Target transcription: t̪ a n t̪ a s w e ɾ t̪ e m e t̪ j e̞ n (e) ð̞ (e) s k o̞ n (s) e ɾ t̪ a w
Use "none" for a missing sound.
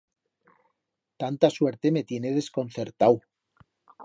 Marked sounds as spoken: e, e, θ

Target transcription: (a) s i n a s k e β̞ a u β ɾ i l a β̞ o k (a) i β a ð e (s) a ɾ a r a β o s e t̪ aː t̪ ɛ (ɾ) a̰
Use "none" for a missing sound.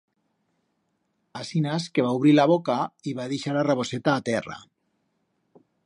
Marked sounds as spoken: a, a, ʃ, r

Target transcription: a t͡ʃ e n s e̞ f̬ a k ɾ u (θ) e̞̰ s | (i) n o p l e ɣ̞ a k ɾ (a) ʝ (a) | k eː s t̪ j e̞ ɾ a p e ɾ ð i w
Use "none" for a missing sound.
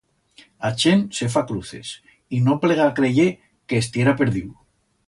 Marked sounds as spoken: θ, i, e, e

